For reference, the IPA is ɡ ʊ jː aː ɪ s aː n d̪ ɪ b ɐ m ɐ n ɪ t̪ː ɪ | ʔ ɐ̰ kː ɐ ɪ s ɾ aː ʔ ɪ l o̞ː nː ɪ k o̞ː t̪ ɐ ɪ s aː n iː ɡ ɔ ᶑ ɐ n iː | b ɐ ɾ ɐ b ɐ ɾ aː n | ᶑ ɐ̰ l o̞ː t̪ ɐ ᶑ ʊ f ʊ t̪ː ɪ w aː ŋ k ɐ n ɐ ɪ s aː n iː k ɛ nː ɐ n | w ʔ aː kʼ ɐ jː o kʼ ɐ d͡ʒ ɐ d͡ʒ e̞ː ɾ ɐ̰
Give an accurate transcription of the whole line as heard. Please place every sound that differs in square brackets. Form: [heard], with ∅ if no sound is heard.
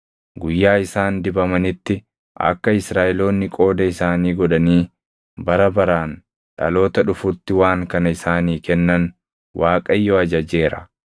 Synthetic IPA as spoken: ɡ ʊ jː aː ɪ s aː n d̪ ɪ b ɐ m ɐ n ɪ t̪ː ɪ | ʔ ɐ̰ kː ɐ ɪ s ɾ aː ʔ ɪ l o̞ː nː ɪ [kʼ] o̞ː [d̪] ɐ ɪ s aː n iː ɡ ɔ ᶑ ɐ n iː | b ɐ ɾ ɐ b ɐ ɾ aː n | ᶑ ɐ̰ l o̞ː t̪ ɐ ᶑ ʊ f ʊ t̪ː ɪ w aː ŋ k ɐ n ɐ ɪ s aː n iː k ɛ nː ɐ n | w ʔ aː kʼ ɐ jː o [∅] ɐ d͡ʒ ɐ d͡ʒ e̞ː ɾ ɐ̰